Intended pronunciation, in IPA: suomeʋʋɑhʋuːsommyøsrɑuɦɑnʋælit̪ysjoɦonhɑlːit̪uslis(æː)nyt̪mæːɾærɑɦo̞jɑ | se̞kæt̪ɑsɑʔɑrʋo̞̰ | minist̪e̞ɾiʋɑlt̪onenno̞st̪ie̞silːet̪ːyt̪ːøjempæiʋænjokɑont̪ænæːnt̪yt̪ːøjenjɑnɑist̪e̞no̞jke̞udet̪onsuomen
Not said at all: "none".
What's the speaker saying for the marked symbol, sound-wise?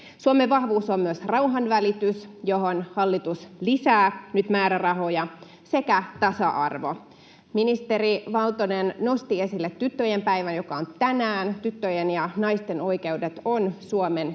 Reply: æː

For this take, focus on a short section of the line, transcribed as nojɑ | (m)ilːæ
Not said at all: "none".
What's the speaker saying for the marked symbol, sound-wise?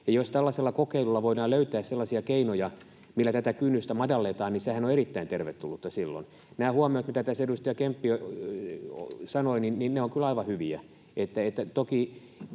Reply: m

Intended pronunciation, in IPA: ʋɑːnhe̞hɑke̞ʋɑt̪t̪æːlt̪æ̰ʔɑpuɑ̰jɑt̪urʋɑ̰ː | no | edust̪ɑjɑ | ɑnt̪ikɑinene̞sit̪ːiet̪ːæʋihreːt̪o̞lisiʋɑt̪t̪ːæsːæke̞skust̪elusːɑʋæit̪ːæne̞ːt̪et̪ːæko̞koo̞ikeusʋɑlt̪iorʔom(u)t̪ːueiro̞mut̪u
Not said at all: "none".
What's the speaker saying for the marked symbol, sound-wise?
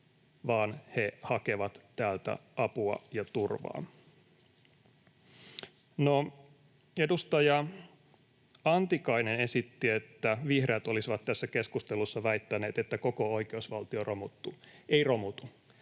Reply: u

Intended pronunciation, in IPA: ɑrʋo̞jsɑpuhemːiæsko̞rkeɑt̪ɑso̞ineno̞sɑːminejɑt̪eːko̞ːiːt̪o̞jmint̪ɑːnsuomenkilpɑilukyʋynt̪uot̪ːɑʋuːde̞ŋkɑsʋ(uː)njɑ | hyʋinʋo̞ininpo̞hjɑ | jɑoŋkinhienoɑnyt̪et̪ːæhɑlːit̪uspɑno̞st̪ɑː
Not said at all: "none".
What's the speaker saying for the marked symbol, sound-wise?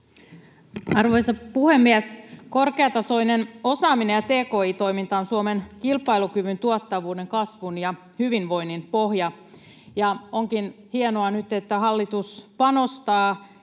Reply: u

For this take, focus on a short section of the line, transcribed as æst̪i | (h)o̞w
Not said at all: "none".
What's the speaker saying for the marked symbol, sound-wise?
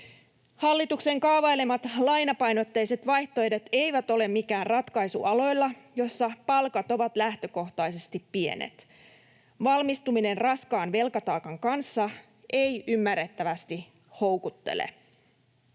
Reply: h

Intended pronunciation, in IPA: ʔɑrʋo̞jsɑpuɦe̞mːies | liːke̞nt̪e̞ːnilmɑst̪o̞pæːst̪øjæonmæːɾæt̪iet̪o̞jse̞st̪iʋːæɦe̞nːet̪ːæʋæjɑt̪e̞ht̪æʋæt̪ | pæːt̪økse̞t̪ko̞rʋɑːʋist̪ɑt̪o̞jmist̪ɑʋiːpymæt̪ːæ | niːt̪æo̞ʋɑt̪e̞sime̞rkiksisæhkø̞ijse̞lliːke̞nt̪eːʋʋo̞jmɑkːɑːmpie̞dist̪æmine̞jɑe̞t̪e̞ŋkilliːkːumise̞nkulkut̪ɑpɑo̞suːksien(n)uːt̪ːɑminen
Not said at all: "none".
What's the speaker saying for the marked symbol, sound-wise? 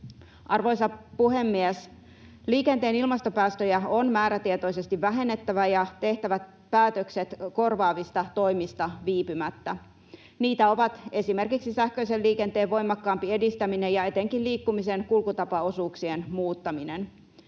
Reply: m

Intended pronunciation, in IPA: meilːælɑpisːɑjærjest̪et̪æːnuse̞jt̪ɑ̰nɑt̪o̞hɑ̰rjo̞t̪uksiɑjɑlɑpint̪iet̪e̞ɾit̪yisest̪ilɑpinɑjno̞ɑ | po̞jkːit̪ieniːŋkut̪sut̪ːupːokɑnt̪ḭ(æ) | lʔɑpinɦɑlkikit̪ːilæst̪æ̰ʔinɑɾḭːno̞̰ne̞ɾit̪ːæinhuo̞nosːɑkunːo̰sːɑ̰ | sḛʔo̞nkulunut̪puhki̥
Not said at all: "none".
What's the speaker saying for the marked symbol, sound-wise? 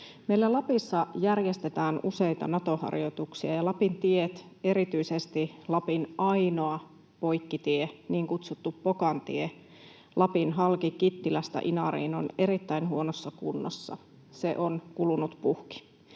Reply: e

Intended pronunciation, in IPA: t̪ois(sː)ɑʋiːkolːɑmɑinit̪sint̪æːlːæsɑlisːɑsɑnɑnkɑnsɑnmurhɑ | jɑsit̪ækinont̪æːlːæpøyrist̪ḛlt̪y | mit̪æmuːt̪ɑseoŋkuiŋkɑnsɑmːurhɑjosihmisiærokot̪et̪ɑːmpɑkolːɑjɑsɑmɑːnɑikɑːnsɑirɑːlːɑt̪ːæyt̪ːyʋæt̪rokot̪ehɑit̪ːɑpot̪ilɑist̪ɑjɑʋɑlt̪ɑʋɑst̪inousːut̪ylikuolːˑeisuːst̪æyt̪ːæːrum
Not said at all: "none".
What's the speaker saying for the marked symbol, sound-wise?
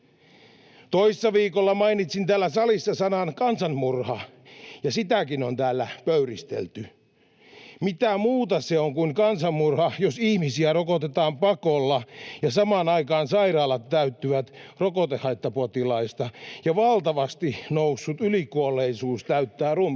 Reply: sː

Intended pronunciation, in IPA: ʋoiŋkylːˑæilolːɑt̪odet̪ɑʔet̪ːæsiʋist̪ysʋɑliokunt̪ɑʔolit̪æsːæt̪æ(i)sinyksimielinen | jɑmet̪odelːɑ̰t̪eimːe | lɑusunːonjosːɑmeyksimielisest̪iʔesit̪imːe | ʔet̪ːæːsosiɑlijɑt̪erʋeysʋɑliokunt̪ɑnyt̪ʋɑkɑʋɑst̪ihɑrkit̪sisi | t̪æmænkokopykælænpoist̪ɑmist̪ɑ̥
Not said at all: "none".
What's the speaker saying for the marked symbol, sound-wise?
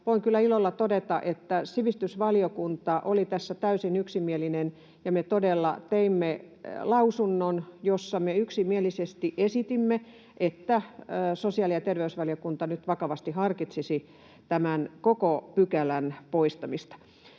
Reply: y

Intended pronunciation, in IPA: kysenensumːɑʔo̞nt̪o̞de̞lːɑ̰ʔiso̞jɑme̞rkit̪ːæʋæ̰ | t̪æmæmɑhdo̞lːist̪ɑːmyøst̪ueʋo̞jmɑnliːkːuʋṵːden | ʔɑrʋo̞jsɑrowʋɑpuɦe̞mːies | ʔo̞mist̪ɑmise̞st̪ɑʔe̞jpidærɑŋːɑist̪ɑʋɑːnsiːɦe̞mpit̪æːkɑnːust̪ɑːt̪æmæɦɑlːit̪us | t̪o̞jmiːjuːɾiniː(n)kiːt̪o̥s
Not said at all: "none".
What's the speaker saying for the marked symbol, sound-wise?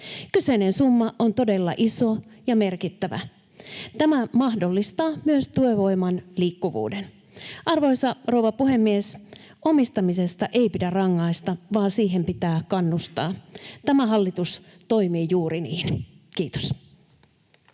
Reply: n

